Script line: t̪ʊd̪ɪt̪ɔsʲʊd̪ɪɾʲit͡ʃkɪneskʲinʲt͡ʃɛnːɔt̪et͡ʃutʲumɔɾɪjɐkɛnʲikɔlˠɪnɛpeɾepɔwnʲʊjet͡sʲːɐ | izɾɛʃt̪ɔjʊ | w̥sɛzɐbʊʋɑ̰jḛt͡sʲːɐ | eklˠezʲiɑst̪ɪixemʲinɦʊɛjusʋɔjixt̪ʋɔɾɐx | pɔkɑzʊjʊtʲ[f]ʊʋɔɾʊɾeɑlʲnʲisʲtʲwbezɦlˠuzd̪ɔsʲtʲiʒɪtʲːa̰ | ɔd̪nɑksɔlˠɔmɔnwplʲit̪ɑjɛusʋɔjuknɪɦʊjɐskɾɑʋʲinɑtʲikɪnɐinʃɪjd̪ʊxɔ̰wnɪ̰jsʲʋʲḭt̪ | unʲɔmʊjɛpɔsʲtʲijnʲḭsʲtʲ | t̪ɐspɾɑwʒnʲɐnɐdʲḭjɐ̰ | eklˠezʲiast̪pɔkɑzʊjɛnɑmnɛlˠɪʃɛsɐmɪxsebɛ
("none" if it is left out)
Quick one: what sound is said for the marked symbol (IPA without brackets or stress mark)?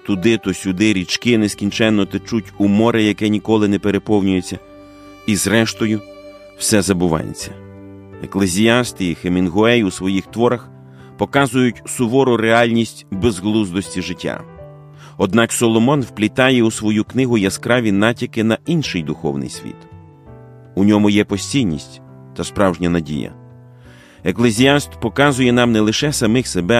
s